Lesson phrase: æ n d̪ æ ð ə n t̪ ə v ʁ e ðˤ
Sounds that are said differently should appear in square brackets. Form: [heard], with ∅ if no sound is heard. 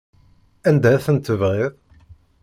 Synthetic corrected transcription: æ n d̪ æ [θ] ə n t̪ ə v ʁ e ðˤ

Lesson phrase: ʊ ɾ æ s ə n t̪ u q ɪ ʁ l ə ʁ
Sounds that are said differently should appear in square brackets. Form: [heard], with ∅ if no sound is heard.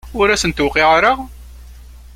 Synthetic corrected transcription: ʊ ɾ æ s ə n t̪ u q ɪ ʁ [ɾ] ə ʁ

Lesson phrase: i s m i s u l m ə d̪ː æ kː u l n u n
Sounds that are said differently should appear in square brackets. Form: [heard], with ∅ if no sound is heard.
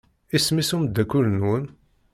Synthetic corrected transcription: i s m i s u [∅] m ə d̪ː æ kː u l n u n

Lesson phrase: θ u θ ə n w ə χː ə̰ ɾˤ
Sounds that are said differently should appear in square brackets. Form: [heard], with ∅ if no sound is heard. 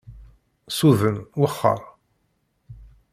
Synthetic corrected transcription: [s] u [ð] ə n w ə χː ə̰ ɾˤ

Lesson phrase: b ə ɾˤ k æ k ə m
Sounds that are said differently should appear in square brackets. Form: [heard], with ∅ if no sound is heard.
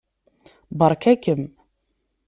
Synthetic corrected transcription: b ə ɾˤ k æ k ə m

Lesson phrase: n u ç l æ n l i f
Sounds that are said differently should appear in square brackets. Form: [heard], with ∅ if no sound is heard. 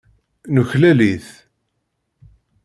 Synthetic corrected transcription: n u ç l æ [∅] l i [θ]

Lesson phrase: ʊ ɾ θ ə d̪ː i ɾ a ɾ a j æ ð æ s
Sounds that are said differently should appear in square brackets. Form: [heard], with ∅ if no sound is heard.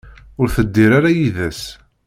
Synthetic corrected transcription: ʊ ɾ θ ə d̪ː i ɾ a ɾ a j [i] ð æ s

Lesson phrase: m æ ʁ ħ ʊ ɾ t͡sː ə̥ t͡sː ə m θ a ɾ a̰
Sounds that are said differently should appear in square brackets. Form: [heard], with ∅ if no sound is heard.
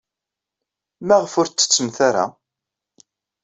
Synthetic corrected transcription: m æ ʁ [f] ʊ ɾ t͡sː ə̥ t͡sː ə m θ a ɾ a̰

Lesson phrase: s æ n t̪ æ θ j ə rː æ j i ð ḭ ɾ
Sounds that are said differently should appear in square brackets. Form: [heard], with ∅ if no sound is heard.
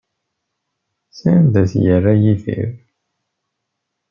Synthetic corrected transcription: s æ n [d̪] æ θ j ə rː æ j i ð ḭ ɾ

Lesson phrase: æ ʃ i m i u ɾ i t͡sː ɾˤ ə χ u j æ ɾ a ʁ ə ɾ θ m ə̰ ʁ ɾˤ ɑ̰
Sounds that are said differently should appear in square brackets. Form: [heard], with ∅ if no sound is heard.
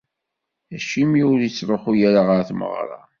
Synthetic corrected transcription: æ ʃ i m i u ɾ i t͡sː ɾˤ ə χ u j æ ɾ a ʁ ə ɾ θ m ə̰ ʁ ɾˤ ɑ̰

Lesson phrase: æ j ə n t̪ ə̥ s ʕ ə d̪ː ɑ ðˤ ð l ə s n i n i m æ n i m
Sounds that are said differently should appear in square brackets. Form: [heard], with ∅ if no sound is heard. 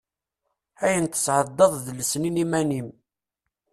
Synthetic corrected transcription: æ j ə n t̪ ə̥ s ʕ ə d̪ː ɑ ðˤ ð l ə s n i n i m æ n i m

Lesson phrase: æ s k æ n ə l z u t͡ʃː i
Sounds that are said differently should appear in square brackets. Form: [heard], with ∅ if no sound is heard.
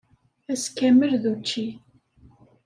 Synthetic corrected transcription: æ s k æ [m] ə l [ð] u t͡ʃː i

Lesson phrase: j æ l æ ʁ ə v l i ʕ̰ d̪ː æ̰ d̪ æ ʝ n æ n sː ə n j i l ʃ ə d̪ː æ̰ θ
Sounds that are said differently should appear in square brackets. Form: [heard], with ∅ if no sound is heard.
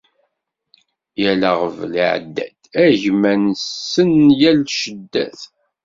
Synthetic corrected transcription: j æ l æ ʁ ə v l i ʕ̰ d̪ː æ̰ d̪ æ ʝ [m] æ n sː ə n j [æ] l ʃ ə d̪ː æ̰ θ

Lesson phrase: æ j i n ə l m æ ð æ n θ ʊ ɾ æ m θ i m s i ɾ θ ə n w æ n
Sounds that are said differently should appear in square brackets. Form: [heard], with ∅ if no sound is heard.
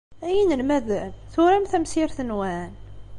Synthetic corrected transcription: æ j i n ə l m æ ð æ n θ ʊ ɾ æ m θ [æ] m s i ɾ θ ə n w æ n

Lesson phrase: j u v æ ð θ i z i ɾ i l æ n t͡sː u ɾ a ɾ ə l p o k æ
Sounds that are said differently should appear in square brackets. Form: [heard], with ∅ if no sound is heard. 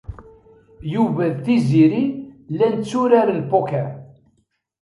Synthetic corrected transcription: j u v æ ð θ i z i ɾ i l æ n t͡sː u ɾ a ɾ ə l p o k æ

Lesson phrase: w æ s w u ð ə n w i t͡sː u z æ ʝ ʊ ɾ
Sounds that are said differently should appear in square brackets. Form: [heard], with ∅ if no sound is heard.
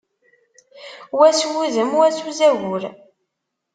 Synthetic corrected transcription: w æ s w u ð ə [m] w [æ] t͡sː u z æ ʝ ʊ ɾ

